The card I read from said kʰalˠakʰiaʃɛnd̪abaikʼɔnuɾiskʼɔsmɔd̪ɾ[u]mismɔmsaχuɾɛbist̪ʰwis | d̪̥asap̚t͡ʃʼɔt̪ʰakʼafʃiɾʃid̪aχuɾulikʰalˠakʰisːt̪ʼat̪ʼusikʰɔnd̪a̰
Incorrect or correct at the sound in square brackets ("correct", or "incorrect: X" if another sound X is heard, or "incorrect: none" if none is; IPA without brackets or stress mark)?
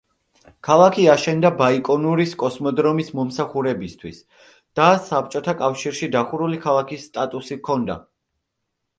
incorrect: ɔ